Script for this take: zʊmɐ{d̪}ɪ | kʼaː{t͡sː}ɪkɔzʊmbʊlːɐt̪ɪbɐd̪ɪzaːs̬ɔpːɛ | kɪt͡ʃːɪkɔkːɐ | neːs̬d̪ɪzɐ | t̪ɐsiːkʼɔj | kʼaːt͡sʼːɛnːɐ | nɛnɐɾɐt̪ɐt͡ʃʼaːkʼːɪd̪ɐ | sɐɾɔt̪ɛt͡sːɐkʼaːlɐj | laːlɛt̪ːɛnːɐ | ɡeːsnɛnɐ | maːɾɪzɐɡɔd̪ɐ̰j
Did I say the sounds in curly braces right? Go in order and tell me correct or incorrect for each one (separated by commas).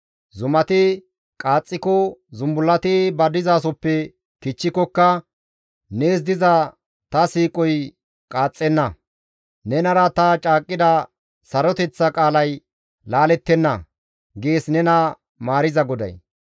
incorrect, incorrect